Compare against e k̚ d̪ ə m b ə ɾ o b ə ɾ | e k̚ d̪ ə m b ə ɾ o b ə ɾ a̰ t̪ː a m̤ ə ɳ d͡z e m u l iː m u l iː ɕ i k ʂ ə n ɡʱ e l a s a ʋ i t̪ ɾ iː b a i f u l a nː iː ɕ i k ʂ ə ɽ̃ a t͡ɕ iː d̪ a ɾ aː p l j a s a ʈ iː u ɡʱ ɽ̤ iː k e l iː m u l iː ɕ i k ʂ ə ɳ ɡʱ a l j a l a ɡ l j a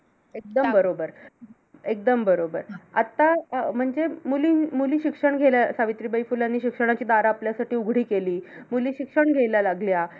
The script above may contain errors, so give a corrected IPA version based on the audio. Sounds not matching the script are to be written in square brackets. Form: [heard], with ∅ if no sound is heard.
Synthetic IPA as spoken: e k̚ d̪ ə m b ə ɾ o b ə ɾ | e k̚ d̪ ə m b ə ɾ o b ə ɾ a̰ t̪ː a m̤ ə ɳ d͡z e m u l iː m u l iː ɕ i k ʂ ə [ɳ] ɡʱ e l a s a ʋ i t̪ ɾ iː b [ə] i f u l a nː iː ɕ i k ʂ ə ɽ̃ a t͡ɕ iː d̪ a ɾ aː p l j a s a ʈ iː u ɡʱ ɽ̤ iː k e l iː m u l iː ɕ i k ʂ ə ɳ ɡʱ [e] l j a l a ɡ l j a